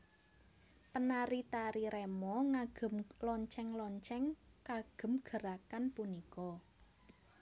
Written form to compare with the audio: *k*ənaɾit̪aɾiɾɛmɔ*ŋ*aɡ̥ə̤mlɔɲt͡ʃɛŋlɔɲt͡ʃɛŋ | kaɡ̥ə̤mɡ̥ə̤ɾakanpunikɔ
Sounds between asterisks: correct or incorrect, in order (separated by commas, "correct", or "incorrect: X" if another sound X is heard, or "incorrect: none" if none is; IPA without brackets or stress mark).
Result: incorrect: p, correct